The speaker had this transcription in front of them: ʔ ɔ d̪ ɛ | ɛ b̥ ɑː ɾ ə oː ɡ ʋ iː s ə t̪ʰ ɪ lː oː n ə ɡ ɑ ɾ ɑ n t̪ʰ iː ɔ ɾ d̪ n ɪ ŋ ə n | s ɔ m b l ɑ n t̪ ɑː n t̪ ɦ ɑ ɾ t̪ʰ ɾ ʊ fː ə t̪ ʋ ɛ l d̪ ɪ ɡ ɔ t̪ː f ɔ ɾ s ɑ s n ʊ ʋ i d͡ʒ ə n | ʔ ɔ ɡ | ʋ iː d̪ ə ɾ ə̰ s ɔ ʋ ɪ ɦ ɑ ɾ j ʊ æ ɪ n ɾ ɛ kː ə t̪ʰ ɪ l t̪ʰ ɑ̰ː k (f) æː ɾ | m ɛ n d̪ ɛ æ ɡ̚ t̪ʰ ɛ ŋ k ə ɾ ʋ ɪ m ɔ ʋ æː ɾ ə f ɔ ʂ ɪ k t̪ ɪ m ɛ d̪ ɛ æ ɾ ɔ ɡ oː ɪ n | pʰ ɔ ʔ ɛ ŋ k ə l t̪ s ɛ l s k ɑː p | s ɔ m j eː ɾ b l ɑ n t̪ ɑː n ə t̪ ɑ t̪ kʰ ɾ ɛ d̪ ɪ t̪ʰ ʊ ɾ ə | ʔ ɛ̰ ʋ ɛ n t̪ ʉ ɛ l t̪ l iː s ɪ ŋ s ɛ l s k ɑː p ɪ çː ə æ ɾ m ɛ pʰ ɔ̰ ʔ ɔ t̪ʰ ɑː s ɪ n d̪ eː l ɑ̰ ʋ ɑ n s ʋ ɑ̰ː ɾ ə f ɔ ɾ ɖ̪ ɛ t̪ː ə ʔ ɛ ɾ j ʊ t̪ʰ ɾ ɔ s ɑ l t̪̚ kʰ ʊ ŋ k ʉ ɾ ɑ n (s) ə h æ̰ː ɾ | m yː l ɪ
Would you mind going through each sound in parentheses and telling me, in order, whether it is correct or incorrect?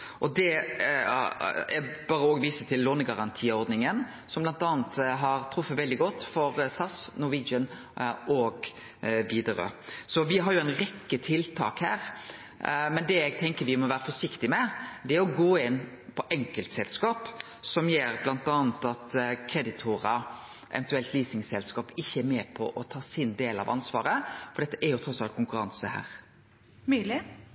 incorrect: h, correct

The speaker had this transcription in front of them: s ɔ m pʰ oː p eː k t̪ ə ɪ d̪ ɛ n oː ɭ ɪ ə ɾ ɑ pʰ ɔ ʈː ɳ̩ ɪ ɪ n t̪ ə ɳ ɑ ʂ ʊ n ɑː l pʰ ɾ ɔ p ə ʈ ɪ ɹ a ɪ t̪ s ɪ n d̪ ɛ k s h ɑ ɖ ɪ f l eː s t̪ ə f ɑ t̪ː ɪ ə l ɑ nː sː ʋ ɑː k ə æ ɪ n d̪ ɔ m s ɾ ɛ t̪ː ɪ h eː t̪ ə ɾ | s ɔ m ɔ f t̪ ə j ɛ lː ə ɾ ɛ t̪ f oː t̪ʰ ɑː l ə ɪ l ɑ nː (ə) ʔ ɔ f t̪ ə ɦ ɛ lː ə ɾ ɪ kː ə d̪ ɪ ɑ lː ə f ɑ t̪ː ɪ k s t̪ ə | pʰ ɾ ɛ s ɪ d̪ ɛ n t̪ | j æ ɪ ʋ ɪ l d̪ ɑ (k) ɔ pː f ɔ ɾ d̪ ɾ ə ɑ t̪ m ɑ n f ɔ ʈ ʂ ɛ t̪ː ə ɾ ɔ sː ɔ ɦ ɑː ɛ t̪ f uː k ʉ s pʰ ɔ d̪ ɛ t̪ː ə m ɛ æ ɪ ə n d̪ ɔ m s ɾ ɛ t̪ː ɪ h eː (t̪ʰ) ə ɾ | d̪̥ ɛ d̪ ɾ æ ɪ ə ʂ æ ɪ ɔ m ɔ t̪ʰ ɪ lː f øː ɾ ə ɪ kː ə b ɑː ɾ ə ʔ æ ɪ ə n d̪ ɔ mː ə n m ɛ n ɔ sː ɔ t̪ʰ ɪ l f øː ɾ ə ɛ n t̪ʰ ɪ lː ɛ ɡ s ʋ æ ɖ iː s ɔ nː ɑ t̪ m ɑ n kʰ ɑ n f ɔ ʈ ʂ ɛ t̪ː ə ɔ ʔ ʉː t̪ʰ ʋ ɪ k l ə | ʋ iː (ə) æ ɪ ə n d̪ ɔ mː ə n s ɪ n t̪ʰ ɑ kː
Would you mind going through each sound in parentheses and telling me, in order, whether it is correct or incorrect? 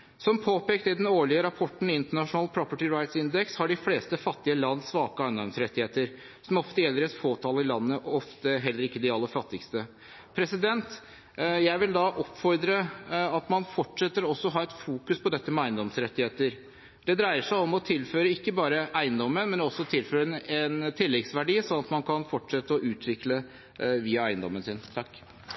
correct, incorrect: ʔ, incorrect: t̪, incorrect: ɑ

